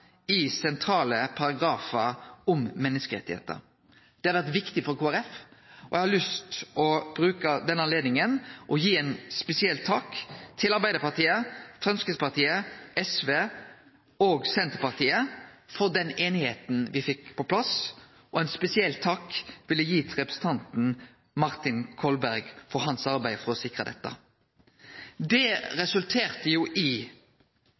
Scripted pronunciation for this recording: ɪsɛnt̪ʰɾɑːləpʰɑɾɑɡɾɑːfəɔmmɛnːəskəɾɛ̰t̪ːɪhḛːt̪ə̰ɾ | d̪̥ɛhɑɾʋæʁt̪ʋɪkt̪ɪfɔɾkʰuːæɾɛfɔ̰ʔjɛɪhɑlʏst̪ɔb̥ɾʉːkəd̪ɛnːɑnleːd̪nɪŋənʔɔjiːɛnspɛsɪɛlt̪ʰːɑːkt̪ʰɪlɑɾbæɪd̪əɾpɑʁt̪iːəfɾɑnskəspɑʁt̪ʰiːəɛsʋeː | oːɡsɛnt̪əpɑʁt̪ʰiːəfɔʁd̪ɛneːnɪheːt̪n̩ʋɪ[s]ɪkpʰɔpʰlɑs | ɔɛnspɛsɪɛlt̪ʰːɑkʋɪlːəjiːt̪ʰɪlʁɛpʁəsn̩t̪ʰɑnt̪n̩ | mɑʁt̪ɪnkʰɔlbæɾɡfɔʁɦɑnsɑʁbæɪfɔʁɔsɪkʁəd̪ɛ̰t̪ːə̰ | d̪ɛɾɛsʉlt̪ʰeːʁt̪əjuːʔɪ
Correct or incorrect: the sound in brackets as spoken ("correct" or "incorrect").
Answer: incorrect